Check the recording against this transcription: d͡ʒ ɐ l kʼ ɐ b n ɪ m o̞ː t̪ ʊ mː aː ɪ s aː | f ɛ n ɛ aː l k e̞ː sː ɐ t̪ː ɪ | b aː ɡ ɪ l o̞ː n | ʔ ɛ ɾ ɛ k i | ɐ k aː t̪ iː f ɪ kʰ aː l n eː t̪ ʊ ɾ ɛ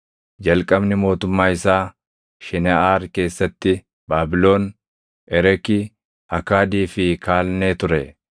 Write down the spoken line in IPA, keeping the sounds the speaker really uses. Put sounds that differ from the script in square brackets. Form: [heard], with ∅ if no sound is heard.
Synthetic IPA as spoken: d͡ʒ ɐ l kʼ ɐ b n ɪ m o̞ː t̪ ʊ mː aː ɪ s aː | [ʃ] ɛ n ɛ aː [ɾ] k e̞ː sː ɐ t̪ː ɪ | b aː [b] ɪ l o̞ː n | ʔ ɛ ɾ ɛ k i | ɐ k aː [d̪] iː f ɪ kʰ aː l n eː t̪ ʊ ɾ ɛ